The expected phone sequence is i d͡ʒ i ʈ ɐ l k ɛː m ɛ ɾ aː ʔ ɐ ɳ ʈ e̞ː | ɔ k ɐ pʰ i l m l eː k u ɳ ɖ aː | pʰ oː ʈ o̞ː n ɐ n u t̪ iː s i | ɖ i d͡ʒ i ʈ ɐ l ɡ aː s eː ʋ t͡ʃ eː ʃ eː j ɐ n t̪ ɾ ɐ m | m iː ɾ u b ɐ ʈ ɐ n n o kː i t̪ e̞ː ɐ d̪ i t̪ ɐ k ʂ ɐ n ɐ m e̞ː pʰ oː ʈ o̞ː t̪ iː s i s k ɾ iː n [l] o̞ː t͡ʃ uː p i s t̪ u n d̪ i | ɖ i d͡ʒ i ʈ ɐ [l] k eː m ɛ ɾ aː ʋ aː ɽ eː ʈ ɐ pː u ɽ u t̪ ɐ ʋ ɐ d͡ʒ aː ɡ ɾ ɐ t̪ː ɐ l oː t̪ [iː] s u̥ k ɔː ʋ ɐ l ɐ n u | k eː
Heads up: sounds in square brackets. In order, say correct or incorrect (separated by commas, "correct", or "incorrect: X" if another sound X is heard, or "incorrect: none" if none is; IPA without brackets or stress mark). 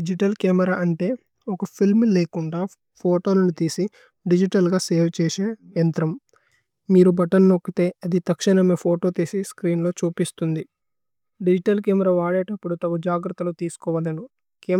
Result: correct, correct, correct